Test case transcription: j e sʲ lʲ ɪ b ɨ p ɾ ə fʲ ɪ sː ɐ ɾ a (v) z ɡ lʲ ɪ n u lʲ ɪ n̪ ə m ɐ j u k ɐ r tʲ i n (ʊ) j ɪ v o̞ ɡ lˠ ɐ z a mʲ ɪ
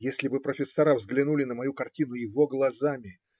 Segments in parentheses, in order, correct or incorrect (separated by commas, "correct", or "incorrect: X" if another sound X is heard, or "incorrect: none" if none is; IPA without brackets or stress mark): correct, correct